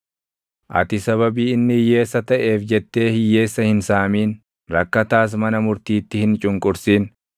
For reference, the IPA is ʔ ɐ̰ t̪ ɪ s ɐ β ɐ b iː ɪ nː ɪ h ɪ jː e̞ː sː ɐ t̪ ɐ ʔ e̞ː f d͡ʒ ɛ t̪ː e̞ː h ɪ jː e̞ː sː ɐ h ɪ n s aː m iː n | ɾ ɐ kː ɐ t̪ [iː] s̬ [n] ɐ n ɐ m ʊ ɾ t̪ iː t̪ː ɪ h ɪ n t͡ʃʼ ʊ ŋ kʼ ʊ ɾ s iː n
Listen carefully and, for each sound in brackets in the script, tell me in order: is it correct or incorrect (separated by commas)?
incorrect, incorrect